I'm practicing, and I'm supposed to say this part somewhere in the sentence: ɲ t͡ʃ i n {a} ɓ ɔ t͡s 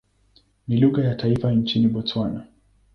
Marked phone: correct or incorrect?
incorrect